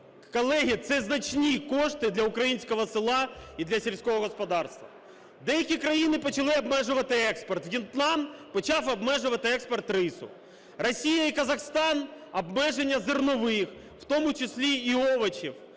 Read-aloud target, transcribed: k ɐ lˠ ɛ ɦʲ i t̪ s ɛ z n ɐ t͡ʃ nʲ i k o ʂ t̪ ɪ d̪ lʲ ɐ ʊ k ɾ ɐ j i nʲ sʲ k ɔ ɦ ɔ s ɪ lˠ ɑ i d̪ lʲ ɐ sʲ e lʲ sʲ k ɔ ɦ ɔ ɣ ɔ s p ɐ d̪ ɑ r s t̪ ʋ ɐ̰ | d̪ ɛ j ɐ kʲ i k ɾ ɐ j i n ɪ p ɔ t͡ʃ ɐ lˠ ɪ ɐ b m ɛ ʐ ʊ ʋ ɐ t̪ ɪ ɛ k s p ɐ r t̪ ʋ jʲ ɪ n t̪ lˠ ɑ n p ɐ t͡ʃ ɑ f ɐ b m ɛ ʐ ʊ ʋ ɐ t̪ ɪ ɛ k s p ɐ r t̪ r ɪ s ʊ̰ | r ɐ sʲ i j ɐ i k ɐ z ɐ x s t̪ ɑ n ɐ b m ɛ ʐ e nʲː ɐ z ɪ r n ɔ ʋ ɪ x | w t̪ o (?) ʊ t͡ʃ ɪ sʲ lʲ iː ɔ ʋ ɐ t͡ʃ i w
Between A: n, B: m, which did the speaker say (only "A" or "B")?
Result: B